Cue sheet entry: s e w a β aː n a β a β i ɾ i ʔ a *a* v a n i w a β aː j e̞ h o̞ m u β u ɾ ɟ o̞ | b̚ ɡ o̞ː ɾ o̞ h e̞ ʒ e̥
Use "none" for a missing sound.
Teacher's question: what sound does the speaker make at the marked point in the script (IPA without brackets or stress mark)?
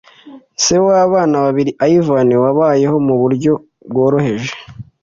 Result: i